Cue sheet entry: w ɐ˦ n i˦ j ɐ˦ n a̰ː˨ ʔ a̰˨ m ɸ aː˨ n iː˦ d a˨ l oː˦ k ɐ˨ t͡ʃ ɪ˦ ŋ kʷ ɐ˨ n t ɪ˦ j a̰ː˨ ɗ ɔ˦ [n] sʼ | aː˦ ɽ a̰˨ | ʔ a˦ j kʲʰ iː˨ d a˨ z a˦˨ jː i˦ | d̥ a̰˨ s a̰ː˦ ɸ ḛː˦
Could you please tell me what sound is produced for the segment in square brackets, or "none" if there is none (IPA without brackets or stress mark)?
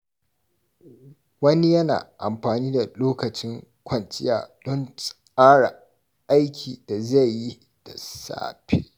n